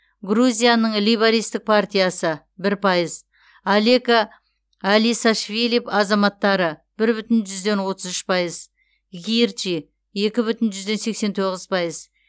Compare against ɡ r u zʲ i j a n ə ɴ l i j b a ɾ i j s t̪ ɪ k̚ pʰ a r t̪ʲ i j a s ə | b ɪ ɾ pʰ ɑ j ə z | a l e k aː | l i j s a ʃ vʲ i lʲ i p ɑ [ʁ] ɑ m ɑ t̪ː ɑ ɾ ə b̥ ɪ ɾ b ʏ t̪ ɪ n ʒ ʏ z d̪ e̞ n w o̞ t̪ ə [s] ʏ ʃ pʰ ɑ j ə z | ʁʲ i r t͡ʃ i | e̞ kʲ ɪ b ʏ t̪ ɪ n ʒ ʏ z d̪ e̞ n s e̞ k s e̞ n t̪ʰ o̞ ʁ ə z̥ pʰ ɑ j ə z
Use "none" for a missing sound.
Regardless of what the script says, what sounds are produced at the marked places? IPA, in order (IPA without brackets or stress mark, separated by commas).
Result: z, z